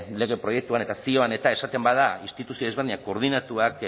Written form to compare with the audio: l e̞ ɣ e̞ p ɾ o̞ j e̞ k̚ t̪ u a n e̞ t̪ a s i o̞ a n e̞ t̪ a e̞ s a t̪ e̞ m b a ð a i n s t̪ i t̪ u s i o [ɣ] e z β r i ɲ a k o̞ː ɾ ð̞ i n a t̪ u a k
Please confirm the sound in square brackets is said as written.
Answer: no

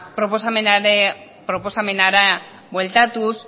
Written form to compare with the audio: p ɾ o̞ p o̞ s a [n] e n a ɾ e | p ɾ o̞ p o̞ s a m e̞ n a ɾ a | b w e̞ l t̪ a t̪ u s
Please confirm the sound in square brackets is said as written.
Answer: no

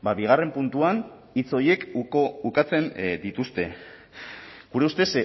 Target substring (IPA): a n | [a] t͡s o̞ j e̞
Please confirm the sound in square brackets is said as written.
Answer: no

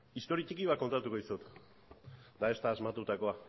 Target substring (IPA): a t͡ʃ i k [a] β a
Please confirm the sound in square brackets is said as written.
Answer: no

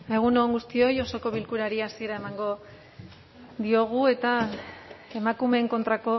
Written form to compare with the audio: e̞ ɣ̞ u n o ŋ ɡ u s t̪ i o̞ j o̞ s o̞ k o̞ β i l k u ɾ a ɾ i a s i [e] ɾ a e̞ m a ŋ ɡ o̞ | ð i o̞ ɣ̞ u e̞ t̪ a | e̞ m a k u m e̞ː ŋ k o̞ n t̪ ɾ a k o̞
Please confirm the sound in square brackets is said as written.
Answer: yes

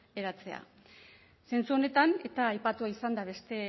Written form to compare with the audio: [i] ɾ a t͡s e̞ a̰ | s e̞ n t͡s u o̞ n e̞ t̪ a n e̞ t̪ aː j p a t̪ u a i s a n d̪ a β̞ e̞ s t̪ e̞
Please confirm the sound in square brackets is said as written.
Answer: no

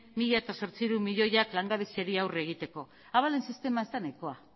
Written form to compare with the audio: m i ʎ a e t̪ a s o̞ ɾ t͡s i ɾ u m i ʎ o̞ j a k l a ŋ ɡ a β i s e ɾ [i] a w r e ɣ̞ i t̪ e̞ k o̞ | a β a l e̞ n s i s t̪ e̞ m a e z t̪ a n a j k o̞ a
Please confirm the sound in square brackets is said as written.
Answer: yes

